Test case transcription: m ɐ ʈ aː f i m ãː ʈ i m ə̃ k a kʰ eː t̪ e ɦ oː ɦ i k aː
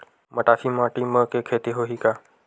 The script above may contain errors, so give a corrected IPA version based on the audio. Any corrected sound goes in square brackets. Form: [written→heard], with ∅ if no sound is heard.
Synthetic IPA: m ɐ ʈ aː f i m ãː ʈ i m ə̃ k [a→e] kʰ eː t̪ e ɦ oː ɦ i k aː